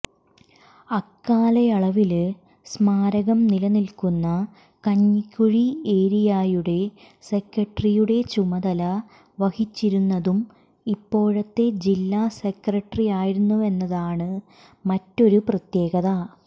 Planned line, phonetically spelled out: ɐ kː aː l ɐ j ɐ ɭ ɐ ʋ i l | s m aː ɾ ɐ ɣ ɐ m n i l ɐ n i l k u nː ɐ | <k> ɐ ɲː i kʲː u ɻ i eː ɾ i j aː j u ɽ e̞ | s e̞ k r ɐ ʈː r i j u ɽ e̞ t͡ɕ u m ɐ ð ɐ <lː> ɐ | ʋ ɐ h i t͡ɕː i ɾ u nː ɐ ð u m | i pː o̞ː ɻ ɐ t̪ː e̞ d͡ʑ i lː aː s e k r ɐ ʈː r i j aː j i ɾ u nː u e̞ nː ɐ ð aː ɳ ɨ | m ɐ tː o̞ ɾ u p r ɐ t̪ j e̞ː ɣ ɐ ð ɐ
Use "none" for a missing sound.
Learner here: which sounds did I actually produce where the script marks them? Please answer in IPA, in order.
k, l

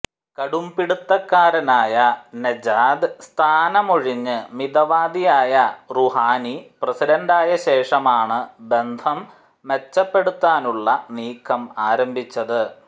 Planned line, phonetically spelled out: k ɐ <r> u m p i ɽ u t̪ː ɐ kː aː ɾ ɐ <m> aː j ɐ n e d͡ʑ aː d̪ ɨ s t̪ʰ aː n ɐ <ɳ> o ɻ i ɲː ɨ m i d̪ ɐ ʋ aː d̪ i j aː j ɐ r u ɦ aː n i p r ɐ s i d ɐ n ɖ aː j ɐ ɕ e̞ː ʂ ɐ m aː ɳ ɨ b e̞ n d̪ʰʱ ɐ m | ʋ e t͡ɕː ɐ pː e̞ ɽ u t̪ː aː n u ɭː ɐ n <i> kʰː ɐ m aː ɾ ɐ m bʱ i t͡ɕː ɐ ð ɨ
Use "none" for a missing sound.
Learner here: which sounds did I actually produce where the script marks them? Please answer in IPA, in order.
ɽ, n, m, iː

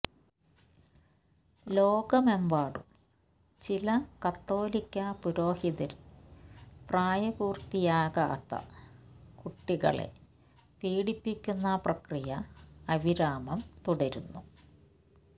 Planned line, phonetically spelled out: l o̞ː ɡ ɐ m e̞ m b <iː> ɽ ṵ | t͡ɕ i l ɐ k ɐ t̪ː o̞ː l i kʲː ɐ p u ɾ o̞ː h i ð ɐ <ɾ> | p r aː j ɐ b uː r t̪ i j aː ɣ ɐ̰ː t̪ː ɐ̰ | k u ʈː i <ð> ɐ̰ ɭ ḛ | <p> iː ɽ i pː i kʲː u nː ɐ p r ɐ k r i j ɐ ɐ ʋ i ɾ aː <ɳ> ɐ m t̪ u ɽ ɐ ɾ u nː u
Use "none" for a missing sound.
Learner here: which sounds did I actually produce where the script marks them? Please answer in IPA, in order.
aː, ɾ, ɣ, p, m

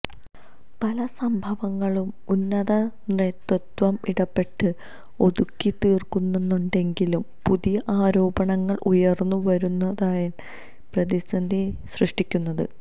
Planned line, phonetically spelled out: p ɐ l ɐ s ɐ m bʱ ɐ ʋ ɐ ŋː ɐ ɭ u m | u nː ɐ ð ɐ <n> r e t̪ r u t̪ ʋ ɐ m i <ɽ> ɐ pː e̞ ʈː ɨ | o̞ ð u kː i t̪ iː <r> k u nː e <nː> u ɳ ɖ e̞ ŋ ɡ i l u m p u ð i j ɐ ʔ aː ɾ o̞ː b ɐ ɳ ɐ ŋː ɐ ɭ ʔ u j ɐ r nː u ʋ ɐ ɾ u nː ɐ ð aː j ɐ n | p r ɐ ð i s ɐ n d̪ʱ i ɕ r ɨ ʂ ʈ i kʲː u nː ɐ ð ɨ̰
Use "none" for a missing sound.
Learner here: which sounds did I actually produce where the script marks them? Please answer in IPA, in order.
n, ɽ, r, nː

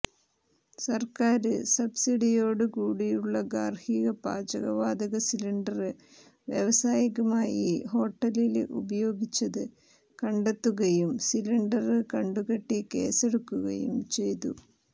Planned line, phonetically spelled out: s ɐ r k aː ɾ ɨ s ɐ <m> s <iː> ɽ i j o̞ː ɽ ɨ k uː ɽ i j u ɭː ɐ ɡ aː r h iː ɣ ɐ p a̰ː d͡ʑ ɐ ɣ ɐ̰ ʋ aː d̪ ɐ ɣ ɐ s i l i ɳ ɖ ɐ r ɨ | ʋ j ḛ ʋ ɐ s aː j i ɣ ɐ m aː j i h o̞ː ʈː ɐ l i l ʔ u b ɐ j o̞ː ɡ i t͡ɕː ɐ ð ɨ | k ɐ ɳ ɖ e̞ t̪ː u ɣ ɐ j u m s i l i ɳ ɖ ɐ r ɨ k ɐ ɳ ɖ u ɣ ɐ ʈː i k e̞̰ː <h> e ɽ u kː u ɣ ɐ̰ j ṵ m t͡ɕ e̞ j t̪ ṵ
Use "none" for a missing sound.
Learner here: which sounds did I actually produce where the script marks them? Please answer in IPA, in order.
b, i, s

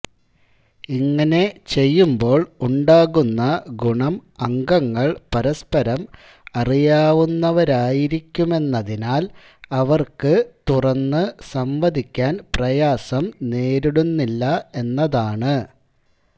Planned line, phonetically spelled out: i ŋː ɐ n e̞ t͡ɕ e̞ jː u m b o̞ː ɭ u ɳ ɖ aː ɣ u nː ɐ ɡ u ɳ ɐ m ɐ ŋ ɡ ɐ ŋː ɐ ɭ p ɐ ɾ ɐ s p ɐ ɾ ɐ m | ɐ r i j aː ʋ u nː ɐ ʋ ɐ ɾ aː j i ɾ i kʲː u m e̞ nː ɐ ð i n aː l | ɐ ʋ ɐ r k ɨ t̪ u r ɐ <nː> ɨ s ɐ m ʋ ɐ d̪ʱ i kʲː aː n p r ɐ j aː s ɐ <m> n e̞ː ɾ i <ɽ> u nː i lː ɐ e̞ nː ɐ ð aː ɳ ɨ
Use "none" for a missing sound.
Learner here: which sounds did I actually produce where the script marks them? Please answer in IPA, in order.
nː, m, ɽ

